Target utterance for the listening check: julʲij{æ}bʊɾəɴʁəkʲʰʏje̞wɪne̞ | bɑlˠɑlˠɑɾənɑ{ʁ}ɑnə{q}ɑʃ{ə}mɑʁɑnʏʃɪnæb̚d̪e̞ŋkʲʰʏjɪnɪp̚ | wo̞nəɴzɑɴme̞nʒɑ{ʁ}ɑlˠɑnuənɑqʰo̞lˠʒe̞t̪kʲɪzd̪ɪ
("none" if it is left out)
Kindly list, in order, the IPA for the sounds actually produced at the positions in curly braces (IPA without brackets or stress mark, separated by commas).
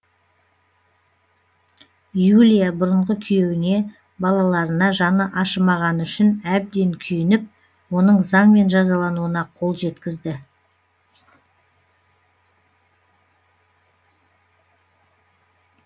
a, ʒ, ʔ, ə, z